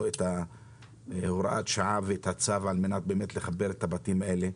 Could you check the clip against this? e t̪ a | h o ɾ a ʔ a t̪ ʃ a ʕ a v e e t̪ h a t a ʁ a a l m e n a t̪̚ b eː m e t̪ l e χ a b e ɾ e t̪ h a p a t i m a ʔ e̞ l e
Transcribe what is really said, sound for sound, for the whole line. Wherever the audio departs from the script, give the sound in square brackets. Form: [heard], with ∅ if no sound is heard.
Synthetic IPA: e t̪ a | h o ɾ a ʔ a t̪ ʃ a ʕ a v e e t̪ h a [t͡s] a [v] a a l m e n a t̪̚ b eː m e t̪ l e χ a b e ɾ e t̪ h a [b] a t i m a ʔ e̞ l e